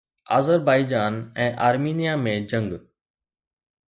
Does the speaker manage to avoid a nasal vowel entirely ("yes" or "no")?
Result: no